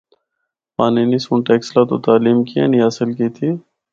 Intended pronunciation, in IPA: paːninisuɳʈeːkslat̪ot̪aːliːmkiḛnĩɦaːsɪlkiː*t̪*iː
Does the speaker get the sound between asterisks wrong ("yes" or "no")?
yes